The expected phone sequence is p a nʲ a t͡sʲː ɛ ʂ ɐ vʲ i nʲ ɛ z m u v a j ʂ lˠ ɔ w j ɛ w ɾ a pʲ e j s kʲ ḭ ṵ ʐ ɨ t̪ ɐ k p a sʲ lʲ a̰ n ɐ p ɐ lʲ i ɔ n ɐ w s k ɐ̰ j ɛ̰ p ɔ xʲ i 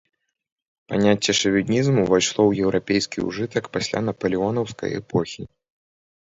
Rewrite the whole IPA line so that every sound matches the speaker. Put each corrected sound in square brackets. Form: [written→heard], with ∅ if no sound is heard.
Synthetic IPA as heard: p a nʲ a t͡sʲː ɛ ʂ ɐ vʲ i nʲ [ɛ→i] z m u v a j ʂ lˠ ɔ w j ɛ w ɾ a pʲ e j s kʲ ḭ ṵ ʐ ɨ t̪ ɐ k p a sʲ lʲ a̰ n ɐ p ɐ lʲ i ɔ n ɐ w s k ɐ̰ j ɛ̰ p ɔ xʲ i